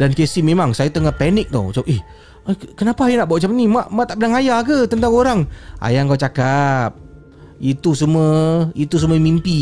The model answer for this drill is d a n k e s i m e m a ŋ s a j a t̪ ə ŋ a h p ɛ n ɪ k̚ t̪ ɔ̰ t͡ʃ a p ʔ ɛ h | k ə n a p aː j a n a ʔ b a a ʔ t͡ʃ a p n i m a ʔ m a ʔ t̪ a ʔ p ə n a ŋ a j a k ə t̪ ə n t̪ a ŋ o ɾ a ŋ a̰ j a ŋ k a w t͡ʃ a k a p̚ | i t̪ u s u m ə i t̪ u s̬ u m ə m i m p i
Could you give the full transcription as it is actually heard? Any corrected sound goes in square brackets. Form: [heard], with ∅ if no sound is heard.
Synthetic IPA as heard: d a n k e s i m e m a ŋ s a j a t̪ ə ŋ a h p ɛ n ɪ k̚ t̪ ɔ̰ t͡ʃ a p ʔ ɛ h | k ə n a p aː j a n a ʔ b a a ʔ t͡ʃ a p n i m a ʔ m a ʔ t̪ a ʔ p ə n a ŋ a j a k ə t̪ ə n t̪ a ŋ o ɾ a ŋ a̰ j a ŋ k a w t͡ʃ a k a p̚ | i t̪ u s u m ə i t̪ u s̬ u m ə m i m p i